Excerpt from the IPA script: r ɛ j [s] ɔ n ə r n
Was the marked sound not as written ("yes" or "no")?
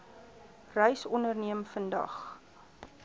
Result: no